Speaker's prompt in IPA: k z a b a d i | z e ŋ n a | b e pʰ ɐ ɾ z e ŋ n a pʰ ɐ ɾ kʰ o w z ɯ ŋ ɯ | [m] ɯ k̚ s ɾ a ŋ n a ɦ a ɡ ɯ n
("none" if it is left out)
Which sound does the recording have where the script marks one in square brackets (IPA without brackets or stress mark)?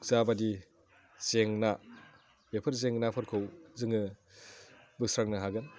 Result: b